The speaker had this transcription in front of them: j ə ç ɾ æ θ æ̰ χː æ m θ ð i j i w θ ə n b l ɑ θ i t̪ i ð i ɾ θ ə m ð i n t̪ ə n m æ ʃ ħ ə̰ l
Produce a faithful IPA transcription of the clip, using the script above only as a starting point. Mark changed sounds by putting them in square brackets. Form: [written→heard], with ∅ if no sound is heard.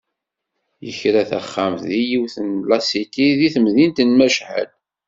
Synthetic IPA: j ə ç ɾ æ θ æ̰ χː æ m θ ð i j i w θ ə n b l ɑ [θ→s] i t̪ i ð i [ɾ→∅] θ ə m ð i n t̪ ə n m æ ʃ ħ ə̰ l